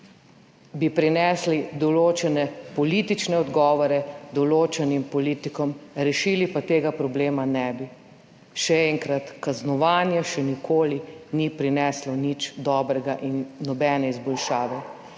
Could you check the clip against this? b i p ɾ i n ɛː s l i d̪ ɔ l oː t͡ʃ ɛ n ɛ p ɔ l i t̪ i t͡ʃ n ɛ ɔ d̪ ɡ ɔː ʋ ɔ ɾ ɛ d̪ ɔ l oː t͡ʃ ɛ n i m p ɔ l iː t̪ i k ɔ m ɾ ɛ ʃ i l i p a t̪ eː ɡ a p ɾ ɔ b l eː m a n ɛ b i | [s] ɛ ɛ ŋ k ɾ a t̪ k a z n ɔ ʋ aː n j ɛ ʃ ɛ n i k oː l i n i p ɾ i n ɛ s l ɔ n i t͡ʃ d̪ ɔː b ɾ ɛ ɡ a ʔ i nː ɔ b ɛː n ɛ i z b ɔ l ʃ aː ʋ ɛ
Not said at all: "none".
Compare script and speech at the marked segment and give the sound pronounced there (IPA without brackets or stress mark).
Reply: ʃ